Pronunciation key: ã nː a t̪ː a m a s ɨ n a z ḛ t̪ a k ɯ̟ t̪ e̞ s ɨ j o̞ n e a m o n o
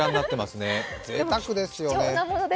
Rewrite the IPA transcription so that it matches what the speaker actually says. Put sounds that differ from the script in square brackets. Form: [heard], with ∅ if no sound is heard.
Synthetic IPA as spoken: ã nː a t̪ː [e] m a s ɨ n [e] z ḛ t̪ a k ɯ̟ [d̪] e̞ s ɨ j o̞ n e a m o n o